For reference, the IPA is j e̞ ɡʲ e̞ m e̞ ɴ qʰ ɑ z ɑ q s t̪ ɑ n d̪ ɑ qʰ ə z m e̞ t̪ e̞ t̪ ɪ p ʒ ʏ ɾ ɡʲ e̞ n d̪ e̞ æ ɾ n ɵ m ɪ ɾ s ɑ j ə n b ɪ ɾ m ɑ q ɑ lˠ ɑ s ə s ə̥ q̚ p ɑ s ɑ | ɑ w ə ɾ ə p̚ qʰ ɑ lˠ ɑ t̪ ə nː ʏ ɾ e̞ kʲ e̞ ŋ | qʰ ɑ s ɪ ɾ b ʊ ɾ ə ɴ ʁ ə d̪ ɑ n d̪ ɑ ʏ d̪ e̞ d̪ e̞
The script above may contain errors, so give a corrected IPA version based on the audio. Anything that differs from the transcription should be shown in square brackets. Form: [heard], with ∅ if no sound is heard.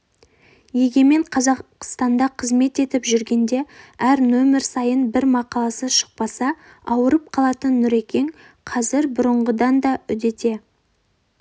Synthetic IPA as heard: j e̞ ɡʲ e̞ m e̞ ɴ qʰ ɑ z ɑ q s t̪ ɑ n d̪ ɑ qʰ ə z m e̞ t̪ e̞ t̪ ɪ p ʒ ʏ ɾ ɡʲ e̞ n d̪ e̞ æ ɾ n ɵ m ɪ ɾ s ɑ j ə n b ɪ ɾ m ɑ q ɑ lˠ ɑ s ə [ʃ] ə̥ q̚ p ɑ s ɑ | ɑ w ə ɾ ə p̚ qʰ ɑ lˠ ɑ t̪ ə nː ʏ ɾ e̞ kʲ e̞ ŋ | qʰ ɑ [z] ɪ ɾ b ʊ ɾ ə ɴ ʁ ə d̪ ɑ n d̪ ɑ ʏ d̪ e̞ [t̪] e̞

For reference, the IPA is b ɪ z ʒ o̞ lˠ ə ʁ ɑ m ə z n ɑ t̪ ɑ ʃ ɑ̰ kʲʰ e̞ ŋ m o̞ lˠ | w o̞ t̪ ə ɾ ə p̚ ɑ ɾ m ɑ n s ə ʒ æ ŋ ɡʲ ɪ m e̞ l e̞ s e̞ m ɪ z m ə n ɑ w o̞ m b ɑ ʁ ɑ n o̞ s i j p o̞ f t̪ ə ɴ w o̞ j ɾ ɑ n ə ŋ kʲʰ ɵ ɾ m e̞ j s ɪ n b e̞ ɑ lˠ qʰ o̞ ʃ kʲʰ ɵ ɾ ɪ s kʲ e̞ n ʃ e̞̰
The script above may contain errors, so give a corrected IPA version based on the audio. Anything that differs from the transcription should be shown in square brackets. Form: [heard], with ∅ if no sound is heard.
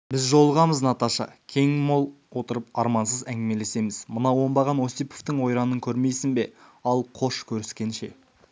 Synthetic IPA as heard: b ɪ z ʒ o̞ lˠ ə ʁ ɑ m ə z n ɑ t̪ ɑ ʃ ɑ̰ kʲʰ e̞ ŋ m o̞ lˠ | w o̞ t̪ ə ɾ ə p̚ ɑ ɾ m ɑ n s ə [z] æ ŋ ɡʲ ɪ m e̞ l e̞ s e̞ m ɪ z m ə n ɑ w o̞ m b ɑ ʁ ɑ n o̞ s i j p o̞ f t̪ ə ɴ w o̞ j ɾ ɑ n ə ŋ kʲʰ ɵ ɾ m e̞ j s ɪ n b e̞ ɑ lˠ qʰ o̞ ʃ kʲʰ ɵ ɾ ɪ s kʲ e̞ n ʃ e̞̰

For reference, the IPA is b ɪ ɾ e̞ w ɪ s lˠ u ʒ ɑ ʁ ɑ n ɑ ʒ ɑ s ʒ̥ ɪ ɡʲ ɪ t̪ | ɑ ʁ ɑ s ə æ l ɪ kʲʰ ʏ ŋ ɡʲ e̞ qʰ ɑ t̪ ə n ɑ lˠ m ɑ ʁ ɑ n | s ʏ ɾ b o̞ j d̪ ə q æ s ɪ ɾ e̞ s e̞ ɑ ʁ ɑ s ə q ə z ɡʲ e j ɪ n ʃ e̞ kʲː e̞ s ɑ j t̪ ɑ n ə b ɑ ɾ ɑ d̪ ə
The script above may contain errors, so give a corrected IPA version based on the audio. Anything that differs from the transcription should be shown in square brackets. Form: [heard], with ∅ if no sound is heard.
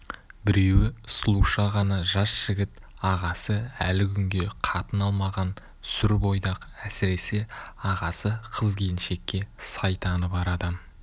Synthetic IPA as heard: b ɪ ɾ e̞ w ɪ s lˠ u [ʃ] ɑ ʁ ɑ n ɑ ʒ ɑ s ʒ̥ ɪ ɡʲ ɪ t̪ | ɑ ʁ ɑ s ə æ l ɪ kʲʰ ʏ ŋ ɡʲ e̞ qʰ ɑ t̪ ə n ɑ lˠ m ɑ ʁ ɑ n | s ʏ ɾ b o̞ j d̪ [ɑ] q æ s ɪ ɾ e̞ s e̞ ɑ ʁ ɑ s ə [qʰ] ə z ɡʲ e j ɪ n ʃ e̞ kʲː e̞ s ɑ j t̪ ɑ n ə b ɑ ɾ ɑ d̪ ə

